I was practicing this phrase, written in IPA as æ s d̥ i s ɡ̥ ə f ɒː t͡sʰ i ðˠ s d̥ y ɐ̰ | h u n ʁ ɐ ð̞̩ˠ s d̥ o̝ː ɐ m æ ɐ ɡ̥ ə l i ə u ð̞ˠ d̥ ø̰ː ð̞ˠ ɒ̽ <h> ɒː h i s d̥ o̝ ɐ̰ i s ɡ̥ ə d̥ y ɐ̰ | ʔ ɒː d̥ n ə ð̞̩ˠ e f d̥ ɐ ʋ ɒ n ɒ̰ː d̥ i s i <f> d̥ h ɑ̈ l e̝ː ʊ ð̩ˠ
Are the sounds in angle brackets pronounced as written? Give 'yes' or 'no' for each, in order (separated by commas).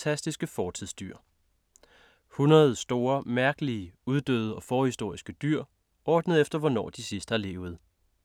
no, no